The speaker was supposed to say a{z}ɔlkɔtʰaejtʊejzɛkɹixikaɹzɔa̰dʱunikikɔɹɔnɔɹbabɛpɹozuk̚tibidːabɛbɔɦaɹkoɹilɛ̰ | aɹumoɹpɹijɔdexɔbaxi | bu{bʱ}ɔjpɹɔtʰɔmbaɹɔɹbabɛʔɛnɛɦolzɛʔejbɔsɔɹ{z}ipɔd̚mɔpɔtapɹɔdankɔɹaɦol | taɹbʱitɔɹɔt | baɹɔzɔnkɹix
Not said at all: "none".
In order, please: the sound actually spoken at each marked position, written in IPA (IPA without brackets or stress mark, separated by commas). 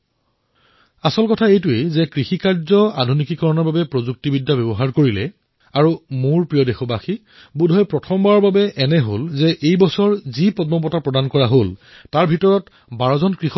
s, dʱ, z